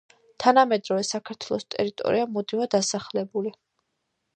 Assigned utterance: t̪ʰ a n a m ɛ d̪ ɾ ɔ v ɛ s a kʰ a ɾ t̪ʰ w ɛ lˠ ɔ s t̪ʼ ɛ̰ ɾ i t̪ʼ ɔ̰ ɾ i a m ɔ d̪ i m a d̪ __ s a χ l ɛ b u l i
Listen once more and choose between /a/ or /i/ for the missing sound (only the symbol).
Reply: a